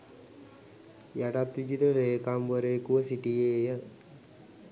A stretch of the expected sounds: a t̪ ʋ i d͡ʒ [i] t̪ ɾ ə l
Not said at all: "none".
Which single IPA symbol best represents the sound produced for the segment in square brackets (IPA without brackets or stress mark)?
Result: i